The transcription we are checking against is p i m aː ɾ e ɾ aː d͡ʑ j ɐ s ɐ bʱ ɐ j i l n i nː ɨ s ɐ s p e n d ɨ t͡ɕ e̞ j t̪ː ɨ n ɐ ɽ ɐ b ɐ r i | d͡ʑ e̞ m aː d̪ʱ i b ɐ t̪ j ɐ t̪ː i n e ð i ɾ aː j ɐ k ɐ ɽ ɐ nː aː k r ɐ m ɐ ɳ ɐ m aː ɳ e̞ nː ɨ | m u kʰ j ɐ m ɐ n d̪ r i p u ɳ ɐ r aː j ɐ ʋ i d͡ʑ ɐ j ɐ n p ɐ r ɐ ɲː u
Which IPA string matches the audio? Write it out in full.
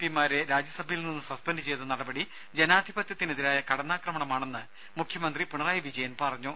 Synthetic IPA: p i m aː ɾ e ɾ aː d͡ʑ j ɐ s ɐ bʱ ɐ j i l n i nː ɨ s ɐ s p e n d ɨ t͡ɕ e̞ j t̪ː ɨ n ɐ ɽ ɐ b ɐ ɽ i | d͡ʑ e̞ n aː d̪ʱ i b ɐ t̪ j ɐ t̪ː i n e ð i ɾ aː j ɐ k ɐ ɽ ɐ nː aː k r ɐ m ɐ ɳ ɐ m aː ɳ e̞ nː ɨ | m u kʰ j ɐ m ɐ n d̪ r i p u ɳ ɐ r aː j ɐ ʋ i d͡ʑ ɐ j ɐ n p ɐ r ɐ ɲː u